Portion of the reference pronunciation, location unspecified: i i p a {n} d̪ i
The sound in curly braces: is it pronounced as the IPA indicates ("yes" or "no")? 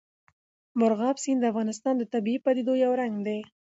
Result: no